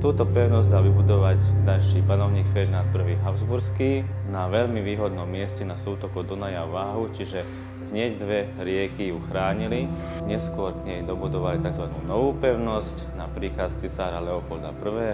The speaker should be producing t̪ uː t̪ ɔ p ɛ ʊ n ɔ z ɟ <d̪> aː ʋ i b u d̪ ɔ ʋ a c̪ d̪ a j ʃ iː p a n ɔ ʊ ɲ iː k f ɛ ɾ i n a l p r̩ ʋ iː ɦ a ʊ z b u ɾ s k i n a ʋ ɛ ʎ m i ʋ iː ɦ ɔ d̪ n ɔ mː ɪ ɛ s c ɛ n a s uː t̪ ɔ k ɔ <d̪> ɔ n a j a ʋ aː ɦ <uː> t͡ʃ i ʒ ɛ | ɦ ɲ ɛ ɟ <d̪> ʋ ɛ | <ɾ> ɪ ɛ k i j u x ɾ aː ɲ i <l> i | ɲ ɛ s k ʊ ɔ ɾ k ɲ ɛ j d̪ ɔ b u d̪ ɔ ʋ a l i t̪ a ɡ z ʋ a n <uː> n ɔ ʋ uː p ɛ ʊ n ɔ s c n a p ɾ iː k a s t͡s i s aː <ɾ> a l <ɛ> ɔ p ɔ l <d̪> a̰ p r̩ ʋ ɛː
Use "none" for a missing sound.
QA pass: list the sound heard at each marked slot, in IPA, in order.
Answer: d̪, d̪, u, d̪, ɾ, l, uː, ɾ, ɛ, d̪

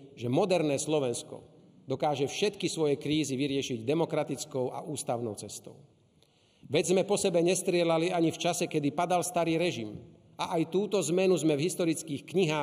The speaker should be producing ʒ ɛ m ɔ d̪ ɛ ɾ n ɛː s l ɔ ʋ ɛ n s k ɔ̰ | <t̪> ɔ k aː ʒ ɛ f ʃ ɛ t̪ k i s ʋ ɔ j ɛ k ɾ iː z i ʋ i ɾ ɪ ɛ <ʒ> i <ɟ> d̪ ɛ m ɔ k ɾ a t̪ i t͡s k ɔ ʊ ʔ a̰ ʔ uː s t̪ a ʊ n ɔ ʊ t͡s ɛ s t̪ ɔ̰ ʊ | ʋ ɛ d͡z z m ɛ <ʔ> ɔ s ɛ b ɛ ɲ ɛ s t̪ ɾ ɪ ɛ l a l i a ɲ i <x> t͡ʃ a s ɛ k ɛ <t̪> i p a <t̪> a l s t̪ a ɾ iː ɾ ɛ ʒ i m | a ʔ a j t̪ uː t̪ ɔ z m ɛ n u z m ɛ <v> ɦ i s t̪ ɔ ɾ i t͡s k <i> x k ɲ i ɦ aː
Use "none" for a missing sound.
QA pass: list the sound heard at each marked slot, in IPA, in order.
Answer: d̪, ʃ, ɟ, p, f, d̪, d̪, v, iː

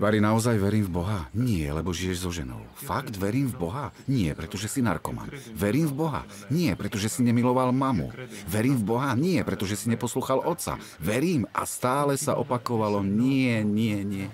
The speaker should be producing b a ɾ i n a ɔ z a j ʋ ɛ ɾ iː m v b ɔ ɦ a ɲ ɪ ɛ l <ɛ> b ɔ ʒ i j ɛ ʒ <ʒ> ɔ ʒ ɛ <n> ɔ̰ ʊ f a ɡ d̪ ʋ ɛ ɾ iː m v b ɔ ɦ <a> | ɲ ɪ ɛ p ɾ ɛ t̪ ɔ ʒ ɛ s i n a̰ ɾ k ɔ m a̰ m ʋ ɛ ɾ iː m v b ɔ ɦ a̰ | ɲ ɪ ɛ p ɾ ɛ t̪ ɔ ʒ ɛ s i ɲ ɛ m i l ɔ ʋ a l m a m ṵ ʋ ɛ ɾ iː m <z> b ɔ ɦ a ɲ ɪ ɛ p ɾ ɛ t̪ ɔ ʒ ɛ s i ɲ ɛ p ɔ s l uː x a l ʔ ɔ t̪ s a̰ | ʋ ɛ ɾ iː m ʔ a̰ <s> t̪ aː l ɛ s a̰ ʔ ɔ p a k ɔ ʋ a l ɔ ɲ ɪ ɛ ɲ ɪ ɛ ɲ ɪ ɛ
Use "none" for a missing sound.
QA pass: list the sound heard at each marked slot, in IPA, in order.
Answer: ɛ, z, n, a, v, s

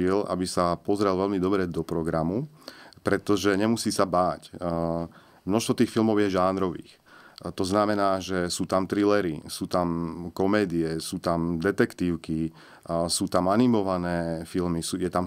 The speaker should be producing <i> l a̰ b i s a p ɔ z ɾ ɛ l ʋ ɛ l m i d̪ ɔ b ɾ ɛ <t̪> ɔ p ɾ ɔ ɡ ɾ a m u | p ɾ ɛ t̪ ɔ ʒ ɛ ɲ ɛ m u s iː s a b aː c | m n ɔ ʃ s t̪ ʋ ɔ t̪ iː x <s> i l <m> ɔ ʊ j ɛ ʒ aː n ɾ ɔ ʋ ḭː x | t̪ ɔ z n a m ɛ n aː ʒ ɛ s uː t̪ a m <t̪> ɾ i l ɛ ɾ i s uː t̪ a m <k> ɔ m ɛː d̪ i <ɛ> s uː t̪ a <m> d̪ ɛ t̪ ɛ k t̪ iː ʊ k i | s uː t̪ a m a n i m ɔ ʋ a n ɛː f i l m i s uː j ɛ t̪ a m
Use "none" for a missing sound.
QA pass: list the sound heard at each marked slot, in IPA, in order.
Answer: i, d̪, f, m, t̪, k, ɛ, m

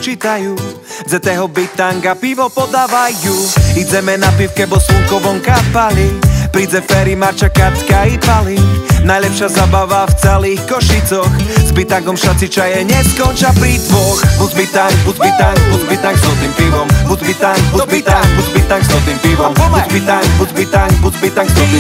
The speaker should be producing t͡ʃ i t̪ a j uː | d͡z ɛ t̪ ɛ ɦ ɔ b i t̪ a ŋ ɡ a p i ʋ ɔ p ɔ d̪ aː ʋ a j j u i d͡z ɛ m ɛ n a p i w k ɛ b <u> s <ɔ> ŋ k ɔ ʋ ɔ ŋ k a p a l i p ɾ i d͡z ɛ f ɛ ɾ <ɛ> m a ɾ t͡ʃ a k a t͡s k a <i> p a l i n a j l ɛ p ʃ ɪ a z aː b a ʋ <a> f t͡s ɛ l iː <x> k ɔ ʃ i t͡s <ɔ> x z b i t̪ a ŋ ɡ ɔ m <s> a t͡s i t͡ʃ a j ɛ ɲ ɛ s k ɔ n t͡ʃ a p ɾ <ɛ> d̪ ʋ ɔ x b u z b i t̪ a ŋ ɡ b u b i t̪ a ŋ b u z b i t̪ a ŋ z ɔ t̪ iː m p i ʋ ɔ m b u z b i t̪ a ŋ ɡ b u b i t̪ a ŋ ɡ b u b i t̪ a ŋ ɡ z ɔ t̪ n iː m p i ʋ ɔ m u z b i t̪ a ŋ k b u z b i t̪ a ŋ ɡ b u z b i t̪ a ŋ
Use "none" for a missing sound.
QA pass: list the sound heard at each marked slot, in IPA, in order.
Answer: ɔ, u, i, i, a, x, ɔ, ʃ, i

